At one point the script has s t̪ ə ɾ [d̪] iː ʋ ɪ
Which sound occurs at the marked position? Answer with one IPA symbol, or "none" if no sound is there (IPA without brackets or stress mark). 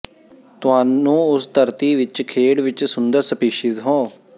t̪